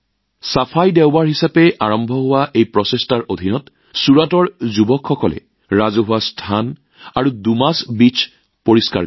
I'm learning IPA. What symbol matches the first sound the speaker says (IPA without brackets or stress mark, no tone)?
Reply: s